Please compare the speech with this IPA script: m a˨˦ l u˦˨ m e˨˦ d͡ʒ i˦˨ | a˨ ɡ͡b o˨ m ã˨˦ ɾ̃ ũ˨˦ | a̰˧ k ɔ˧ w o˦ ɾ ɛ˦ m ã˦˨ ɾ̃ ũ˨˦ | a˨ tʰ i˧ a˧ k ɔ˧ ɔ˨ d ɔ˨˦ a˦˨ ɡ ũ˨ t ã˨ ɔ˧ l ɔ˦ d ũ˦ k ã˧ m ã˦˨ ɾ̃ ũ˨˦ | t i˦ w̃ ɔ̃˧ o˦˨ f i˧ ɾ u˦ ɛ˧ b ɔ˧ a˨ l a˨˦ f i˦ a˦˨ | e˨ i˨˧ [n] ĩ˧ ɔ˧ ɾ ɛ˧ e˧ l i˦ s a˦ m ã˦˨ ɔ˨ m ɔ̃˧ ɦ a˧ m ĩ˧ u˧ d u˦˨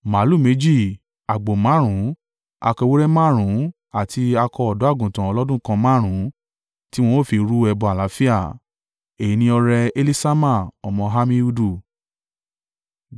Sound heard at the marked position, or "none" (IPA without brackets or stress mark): n